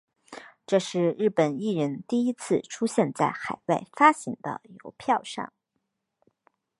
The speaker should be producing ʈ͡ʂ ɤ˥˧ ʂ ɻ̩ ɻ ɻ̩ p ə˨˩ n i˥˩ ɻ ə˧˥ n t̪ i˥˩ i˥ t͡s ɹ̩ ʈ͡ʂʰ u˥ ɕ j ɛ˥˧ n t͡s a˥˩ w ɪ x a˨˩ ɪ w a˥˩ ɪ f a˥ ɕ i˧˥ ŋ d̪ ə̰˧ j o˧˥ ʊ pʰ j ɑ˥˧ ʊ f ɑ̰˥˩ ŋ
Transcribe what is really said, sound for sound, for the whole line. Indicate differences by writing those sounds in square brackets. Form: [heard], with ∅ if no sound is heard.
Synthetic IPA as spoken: ʈ͡ʂ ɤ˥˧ ʂ ɻ̩ ɻ ɻ̩ p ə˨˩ n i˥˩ ɻ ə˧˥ n t̪ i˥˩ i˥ [t͡sʰ] ɹ̩ ʈ͡ʂʰ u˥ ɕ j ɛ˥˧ n t͡s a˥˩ [∅] ɪ x a˨˩ ɪ w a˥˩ ɪ f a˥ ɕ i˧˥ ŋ d̪ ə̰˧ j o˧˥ ʊ pʰ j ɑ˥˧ ʊ [ʂ] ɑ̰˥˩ ŋ